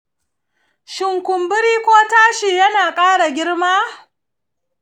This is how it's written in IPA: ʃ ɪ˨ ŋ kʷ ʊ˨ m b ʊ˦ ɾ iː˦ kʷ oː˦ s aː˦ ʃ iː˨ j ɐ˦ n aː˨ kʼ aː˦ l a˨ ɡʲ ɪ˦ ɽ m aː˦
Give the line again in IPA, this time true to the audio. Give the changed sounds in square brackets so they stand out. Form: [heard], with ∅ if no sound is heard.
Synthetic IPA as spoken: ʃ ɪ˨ ŋ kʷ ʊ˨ m b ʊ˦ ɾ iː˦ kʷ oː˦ [t] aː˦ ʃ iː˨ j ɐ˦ n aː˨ kʼ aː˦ [ɽ] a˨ ɡʲ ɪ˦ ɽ m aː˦